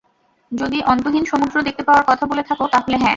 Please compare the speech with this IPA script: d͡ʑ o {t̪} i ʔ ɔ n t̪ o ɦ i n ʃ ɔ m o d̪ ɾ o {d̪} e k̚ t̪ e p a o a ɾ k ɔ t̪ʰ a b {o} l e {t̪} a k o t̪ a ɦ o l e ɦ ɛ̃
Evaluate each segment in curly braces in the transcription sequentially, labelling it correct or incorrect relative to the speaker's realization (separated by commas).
incorrect, correct, correct, incorrect